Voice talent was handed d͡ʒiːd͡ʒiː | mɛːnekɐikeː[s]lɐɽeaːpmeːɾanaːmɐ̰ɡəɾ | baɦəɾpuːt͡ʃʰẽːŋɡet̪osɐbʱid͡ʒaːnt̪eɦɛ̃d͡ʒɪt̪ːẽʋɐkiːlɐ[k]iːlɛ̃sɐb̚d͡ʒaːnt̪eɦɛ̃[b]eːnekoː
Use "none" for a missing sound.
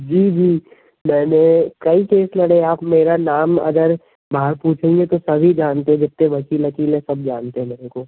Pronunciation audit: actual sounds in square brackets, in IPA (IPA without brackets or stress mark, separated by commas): s, k, m